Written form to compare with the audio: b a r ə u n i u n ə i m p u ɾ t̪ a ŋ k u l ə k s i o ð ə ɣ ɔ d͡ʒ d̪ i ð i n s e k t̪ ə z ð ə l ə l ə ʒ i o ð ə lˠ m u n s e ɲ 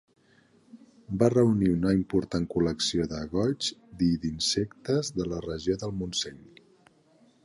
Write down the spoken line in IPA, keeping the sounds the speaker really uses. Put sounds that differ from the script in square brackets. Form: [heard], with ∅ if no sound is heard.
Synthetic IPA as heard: b a r ə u n i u n ə i m p u ɾ t̪ a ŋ k u l ə k s i o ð ə ɣ ɔ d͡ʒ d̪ i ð i n s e k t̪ ə z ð ə l ə [r] ə ʒ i o ð ə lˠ m u n s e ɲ